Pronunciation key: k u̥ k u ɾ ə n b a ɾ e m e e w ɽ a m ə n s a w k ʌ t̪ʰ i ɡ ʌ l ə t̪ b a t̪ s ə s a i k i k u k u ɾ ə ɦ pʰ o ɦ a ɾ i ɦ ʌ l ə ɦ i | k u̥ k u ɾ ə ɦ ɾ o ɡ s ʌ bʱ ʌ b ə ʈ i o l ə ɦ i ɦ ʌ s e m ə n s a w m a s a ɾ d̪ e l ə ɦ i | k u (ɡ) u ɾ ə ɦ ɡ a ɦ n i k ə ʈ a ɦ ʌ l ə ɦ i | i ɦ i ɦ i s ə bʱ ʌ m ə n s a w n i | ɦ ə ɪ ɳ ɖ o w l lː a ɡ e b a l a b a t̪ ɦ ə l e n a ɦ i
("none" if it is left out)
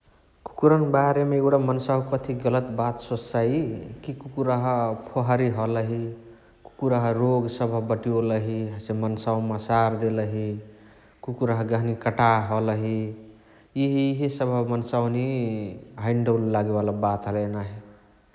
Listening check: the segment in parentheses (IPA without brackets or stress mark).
k